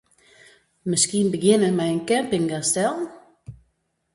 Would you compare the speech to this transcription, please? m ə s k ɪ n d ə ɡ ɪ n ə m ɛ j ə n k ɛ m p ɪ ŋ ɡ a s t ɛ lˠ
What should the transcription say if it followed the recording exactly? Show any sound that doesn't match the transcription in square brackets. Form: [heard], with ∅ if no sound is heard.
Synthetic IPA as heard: m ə s k [i] n [b] ə ɡ ɪ n ə m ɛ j ə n k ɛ m p ɪ ŋ ɡ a s t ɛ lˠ